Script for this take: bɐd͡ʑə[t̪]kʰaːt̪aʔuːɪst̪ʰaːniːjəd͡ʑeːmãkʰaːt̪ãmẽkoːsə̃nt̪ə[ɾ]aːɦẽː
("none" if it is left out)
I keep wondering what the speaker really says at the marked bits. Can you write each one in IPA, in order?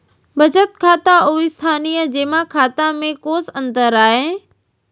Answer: t̪, ɾ

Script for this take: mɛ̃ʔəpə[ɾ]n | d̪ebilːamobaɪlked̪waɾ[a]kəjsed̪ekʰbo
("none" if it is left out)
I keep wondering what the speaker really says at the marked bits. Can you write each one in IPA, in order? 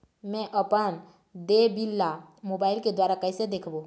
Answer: none, a

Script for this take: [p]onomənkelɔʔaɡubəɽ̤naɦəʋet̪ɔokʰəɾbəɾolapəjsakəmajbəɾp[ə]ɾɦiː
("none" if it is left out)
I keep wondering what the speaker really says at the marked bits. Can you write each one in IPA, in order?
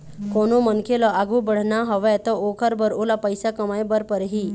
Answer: k, ə

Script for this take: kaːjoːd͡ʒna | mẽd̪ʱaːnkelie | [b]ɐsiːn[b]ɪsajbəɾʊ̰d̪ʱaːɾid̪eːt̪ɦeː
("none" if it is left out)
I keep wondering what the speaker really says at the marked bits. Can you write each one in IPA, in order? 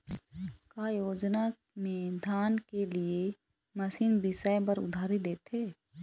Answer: m, b

